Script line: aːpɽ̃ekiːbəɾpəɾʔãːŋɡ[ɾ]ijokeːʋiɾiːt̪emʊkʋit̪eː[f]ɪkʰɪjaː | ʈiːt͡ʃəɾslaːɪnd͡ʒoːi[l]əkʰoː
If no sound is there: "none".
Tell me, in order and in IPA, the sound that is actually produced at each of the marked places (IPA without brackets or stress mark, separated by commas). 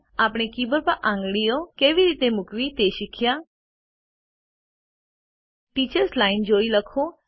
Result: ɽ, ʃ, l